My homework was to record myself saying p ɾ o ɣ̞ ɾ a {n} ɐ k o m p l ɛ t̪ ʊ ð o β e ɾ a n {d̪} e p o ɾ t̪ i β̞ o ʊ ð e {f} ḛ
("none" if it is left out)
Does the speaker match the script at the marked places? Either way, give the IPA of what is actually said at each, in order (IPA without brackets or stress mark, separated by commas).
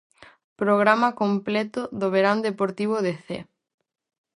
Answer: m, d̪, θ